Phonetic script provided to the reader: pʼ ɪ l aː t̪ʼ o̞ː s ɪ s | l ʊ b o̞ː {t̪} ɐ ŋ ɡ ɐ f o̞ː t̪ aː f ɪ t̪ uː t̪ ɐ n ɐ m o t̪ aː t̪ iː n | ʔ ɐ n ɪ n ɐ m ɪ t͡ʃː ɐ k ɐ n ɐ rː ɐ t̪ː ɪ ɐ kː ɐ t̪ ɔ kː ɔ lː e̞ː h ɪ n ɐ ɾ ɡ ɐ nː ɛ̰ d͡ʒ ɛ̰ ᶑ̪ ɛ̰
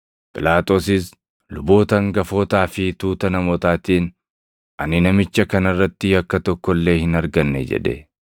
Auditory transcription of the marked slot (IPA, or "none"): t̪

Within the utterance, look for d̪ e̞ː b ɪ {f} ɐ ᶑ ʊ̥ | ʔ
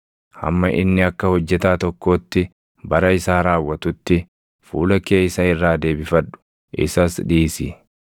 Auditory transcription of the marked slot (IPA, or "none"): f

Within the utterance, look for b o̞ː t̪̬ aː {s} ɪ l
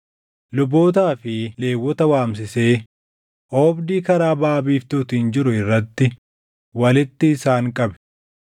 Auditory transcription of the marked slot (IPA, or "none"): f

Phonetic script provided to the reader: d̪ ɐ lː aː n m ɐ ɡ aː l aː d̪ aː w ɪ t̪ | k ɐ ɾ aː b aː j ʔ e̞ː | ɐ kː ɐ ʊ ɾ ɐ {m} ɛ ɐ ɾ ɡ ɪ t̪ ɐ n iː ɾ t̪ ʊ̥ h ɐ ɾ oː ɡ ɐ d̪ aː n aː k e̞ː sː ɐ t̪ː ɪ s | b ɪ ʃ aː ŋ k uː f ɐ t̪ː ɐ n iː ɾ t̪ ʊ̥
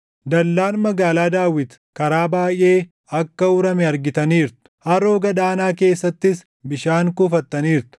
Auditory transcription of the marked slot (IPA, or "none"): m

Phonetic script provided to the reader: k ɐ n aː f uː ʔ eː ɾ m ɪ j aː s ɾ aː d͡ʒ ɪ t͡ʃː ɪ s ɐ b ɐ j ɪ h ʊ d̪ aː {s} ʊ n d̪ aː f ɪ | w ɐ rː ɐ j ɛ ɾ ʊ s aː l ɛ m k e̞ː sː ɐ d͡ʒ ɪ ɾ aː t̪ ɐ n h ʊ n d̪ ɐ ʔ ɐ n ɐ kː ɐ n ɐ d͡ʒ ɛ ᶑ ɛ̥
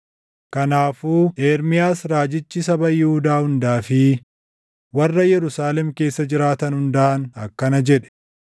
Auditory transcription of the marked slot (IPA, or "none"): h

